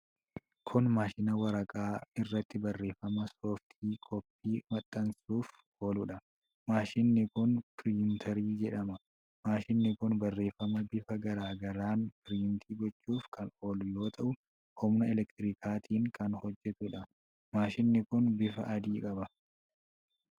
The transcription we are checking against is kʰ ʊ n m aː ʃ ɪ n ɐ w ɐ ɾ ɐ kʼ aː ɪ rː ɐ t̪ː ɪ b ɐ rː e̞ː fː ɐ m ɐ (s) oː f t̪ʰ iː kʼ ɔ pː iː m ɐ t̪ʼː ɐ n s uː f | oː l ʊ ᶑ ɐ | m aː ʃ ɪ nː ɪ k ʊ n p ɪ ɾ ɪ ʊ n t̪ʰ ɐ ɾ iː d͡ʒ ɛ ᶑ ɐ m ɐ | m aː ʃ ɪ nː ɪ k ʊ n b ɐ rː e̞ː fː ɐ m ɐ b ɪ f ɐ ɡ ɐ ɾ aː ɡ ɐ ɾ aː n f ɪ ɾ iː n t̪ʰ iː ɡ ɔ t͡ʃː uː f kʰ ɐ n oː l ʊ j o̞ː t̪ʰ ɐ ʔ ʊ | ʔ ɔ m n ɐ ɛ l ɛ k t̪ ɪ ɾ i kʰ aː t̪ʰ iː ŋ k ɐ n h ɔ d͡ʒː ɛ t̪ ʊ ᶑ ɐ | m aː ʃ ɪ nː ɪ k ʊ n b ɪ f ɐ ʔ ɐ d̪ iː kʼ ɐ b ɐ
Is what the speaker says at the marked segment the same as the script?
yes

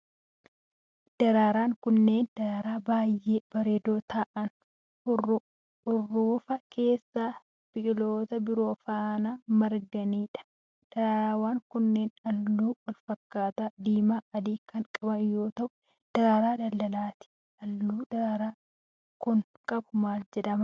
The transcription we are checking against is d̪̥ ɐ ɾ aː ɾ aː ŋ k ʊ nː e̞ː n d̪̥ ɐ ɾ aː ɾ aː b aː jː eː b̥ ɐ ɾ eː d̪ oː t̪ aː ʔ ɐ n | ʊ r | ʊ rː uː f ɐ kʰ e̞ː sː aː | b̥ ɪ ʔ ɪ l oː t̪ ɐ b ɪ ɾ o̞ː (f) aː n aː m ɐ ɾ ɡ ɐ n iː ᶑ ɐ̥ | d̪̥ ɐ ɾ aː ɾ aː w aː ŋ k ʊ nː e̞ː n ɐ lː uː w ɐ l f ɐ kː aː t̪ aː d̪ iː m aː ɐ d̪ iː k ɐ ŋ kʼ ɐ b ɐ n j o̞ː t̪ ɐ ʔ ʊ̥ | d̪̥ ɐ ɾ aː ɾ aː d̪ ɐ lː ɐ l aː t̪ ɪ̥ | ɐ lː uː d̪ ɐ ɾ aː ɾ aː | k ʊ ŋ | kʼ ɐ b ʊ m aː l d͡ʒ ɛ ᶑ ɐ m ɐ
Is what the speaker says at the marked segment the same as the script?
yes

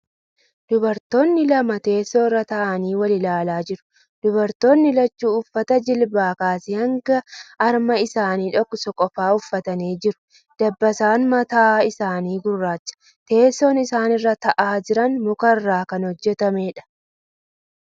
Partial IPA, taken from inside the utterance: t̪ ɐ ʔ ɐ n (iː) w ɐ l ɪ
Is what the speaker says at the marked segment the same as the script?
yes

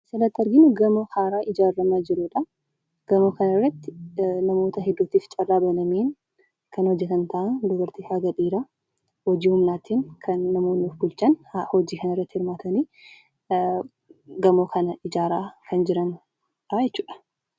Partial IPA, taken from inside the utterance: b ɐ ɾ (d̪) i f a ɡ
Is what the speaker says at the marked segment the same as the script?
no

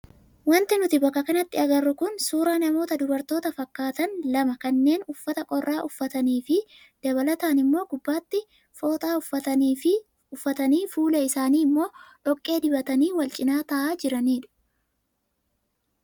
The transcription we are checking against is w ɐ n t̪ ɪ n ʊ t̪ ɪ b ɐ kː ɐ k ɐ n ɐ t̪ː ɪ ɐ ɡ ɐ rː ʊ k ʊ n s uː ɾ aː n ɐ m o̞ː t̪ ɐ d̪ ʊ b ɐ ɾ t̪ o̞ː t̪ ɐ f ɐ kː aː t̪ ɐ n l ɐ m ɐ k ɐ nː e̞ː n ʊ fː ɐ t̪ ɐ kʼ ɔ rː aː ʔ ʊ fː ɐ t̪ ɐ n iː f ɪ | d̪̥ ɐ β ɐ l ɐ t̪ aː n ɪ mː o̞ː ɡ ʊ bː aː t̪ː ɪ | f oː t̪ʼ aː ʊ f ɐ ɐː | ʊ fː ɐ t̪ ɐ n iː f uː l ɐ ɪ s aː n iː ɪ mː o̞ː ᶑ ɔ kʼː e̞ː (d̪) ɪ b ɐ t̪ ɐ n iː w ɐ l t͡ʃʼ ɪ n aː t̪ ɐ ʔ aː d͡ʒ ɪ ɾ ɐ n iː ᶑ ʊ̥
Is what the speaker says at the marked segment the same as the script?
yes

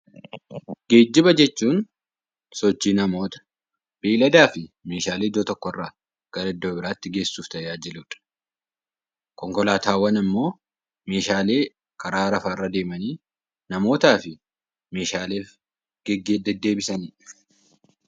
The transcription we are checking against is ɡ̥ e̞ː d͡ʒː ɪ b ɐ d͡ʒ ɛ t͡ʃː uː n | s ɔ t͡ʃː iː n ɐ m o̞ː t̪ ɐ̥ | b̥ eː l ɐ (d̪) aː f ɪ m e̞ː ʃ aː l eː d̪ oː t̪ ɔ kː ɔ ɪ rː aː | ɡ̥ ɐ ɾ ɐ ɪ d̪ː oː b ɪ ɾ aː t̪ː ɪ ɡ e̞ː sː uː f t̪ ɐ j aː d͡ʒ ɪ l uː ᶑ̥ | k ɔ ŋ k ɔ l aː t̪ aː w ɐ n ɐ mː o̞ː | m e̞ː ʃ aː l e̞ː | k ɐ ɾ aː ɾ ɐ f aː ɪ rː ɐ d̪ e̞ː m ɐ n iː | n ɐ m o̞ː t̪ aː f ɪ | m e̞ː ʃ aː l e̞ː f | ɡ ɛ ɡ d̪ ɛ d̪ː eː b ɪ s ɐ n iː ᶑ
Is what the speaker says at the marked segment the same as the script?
yes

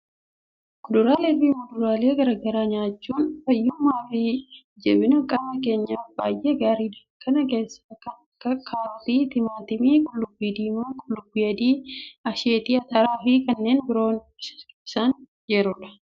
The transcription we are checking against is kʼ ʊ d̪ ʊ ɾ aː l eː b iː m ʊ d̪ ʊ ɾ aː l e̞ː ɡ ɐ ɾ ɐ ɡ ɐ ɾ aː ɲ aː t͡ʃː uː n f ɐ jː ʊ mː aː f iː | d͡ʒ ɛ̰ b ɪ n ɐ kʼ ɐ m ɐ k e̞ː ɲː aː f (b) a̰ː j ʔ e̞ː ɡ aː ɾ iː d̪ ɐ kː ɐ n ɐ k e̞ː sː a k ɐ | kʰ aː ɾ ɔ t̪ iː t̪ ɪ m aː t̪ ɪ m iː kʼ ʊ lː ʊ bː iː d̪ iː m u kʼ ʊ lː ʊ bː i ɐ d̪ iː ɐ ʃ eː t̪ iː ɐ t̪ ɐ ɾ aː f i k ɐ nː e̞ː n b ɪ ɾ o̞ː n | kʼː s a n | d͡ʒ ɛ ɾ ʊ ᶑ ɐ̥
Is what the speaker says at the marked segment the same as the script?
yes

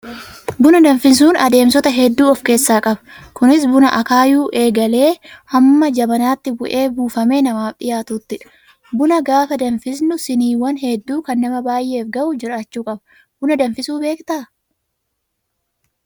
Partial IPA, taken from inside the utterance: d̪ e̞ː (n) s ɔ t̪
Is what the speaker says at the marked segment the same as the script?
no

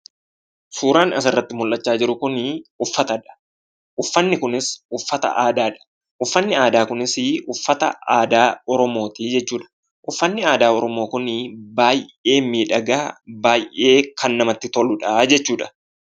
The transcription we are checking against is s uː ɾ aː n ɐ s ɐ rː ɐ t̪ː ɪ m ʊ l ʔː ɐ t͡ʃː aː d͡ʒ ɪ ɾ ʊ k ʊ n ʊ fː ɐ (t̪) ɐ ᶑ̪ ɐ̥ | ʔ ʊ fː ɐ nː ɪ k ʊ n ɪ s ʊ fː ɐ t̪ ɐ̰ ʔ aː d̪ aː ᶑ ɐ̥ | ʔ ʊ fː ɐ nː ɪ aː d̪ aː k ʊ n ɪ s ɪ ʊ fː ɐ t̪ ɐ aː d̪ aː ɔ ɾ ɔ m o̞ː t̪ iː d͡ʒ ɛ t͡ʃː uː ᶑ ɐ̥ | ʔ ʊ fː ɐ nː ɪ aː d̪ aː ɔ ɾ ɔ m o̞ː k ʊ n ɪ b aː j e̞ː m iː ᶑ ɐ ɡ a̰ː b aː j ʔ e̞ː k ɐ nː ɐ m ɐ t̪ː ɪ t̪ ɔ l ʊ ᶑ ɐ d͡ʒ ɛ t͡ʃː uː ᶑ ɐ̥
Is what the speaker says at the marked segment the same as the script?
yes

